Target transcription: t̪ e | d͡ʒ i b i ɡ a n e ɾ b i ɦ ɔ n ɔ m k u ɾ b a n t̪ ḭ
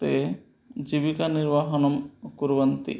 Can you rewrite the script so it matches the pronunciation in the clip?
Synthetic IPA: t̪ e | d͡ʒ i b i k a n i ɾ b a ɦ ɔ n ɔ m k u ɾ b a n t̪ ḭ